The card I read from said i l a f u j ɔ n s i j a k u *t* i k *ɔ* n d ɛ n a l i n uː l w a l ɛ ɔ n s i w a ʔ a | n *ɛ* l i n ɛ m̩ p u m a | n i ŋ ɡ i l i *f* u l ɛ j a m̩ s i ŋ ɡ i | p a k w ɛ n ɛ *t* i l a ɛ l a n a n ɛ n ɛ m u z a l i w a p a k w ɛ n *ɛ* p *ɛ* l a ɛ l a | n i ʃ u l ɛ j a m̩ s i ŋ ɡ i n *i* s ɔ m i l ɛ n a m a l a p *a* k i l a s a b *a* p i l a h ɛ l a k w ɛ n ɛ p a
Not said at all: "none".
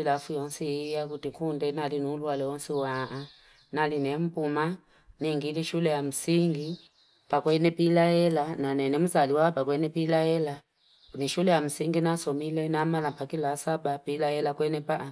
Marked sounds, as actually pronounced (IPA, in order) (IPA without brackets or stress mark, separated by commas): t, u, a, ʃ, p, ɛ, i, a, a, a